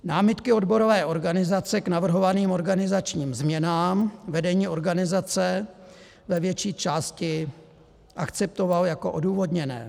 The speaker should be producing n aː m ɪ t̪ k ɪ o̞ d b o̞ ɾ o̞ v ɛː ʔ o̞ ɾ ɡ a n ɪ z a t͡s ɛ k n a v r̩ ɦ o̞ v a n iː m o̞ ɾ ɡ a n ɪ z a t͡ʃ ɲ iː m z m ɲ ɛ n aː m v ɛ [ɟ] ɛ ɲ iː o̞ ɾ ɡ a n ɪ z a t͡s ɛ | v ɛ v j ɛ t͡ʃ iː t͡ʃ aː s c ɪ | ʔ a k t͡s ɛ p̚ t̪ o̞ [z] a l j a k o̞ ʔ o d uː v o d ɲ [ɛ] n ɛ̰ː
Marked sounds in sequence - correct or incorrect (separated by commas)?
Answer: incorrect, incorrect, correct